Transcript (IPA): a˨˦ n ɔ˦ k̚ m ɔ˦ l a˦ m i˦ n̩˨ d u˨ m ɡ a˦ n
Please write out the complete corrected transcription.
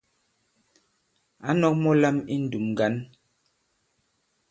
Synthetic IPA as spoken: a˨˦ n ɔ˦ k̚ m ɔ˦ l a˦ m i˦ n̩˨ d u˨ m ɡ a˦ n